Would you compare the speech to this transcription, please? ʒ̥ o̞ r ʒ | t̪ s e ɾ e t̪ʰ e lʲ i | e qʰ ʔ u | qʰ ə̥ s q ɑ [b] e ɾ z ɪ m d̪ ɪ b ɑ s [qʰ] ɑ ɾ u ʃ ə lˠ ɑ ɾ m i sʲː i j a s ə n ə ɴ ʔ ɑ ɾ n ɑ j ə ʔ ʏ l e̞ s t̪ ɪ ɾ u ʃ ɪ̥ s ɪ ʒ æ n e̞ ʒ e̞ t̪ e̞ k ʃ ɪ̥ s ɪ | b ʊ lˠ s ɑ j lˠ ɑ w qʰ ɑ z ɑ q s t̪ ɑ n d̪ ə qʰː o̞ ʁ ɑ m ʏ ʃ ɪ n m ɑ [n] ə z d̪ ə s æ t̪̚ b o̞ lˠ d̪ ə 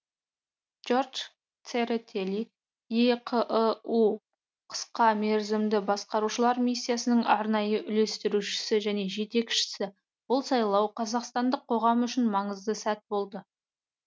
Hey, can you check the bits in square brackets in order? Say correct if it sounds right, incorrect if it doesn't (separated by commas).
incorrect, incorrect, incorrect